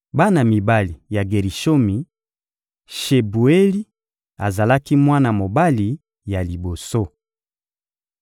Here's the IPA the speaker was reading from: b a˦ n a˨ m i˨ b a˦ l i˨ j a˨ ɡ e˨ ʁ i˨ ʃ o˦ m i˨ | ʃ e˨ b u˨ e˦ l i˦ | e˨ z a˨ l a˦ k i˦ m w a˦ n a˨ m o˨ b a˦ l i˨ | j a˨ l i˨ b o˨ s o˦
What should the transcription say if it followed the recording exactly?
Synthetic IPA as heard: b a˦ n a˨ m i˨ b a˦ l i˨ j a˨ ɡ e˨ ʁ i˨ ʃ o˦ m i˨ | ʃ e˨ b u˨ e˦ l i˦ | a˨ z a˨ l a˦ k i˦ m w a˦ n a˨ m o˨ b a˦ l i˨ | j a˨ l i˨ b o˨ s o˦

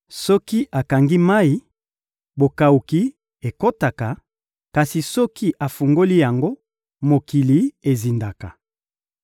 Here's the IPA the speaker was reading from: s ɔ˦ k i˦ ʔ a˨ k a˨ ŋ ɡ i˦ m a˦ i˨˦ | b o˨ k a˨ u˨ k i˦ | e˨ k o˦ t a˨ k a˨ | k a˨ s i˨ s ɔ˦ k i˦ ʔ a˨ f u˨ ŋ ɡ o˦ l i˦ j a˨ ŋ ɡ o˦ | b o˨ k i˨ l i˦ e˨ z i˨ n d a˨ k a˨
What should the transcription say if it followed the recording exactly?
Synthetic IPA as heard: s ɔ˦ k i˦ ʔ a˨ k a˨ ŋ ɡ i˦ m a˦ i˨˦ | b o˨ k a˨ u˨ k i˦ | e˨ k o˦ t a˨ k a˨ | k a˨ s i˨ s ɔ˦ k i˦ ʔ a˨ f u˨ ŋ ɡ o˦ l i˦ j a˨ ŋ ɡ o˦ | m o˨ k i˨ l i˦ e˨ z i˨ n d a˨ k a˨

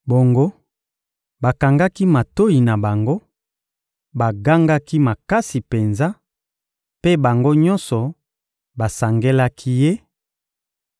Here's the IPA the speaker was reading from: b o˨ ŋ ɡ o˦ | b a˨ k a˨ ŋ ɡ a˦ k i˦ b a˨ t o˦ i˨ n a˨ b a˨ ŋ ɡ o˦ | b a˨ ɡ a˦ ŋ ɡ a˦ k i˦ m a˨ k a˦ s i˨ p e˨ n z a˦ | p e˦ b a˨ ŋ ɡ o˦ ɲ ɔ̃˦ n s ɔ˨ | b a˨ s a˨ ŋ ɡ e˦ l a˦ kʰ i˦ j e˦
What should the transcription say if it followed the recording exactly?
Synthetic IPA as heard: b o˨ ŋ ɡ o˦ | b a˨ k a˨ ŋ ɡ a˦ k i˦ m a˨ t o˦ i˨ n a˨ b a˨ ŋ ɡ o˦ | b a˨ ɡ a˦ ŋ ɡ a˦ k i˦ m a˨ k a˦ s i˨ p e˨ n z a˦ | p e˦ b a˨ ŋ ɡ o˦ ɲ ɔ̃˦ n s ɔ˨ | b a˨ s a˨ ŋ ɡ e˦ l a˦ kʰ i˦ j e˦

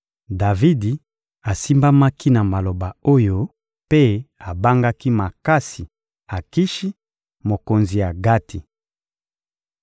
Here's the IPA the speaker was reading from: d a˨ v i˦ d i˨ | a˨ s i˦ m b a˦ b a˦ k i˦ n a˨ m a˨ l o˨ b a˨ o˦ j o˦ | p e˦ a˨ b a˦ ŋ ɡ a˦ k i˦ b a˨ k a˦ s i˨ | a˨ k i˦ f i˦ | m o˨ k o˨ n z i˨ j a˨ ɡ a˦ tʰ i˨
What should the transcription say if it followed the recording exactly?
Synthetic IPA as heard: d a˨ v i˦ d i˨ | a˨ s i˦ m b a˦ m a˦ k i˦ n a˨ m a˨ l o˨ b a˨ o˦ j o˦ | p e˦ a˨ b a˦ ŋ ɡ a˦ k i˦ m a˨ k a˦ s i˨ | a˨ k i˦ ʃ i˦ | m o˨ k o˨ n z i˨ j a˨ ɡ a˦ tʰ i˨

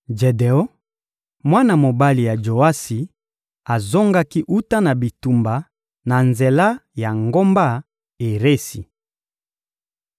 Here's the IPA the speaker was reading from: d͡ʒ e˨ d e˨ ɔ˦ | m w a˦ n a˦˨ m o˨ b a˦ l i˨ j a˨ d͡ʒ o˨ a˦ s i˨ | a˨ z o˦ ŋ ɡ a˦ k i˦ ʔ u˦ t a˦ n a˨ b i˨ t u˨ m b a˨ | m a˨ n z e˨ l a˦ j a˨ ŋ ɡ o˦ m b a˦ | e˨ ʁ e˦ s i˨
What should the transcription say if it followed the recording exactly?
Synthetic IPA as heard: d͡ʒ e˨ d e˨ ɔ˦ | m w a˦ n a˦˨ m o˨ b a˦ l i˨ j a˨ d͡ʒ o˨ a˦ s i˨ | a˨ z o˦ ŋ ɡ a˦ k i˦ ʔ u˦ t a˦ n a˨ b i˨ t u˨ m b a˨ | n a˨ n z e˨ l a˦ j a˨ ŋ ɡ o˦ m b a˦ | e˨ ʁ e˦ s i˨

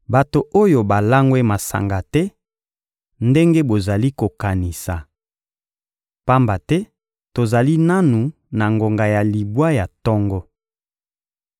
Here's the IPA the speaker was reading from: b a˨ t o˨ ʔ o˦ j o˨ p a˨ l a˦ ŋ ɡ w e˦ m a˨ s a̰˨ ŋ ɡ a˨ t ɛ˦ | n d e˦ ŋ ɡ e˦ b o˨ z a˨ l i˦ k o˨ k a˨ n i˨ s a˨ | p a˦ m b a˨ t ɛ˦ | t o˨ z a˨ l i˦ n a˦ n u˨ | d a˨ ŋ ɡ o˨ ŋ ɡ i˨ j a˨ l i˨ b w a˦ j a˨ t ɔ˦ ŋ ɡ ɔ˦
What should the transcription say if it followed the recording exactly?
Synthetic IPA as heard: b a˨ t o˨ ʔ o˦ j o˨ b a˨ l a˦ ŋ ɡ w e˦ m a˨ s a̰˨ ŋ ɡ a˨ t ɛ˦ | n d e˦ ŋ ɡ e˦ b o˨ z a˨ l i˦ k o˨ k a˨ n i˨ s a˨ | p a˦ m b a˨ t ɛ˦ | t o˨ z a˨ l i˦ n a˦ n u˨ | n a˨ ŋ ɡ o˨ ŋ ɡ a˨ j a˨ l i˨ b w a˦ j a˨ t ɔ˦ ŋ ɡ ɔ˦

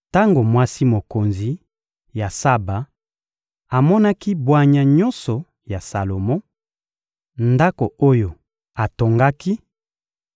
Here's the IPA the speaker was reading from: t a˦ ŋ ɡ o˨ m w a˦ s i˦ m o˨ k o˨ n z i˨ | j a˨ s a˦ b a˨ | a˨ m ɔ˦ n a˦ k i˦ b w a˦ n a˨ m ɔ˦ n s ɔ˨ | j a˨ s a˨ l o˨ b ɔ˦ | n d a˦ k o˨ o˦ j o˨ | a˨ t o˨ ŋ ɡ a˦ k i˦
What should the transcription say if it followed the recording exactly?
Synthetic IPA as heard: t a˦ ŋ ɡ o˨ m w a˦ s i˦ m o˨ k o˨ n z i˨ | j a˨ s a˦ b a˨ | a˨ m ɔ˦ n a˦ k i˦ b w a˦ ɲ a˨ ɲ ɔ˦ n s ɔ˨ | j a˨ s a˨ l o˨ m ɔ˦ | n d a˦ k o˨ o˦ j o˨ | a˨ t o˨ ŋ ɡ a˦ k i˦

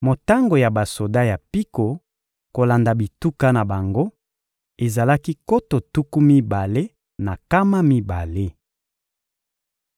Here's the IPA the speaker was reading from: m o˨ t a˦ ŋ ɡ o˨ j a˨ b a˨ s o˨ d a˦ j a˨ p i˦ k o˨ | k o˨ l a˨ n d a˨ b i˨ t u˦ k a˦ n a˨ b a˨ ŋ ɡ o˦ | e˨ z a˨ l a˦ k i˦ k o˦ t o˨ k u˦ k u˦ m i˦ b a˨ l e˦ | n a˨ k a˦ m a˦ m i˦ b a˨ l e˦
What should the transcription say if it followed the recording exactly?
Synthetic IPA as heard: m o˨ t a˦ ŋ ɡ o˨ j a˨ b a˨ s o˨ d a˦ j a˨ p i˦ k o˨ | k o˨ l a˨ n d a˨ b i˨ t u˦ k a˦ n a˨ b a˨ ŋ ɡ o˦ | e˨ z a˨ l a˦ k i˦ k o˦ t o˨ t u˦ k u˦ m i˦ b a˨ l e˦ | n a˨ k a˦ m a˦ m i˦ b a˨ l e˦

